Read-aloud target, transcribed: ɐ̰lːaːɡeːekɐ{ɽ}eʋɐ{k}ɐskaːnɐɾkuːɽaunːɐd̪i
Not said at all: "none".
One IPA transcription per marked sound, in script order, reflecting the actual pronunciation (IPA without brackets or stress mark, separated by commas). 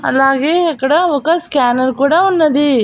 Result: ɽ, k